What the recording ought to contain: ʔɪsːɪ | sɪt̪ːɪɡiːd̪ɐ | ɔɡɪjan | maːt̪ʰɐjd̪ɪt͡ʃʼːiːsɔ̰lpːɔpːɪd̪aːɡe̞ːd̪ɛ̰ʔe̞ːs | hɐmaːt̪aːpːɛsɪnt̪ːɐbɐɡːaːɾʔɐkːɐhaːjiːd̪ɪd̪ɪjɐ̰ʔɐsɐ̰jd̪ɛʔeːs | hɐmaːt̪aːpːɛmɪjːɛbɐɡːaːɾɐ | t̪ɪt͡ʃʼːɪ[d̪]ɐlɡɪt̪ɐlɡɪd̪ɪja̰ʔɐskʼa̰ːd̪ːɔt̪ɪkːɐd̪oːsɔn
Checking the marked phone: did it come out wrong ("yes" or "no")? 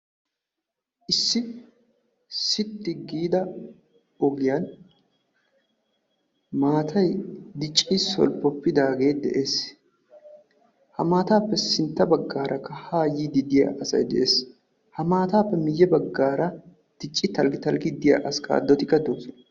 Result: yes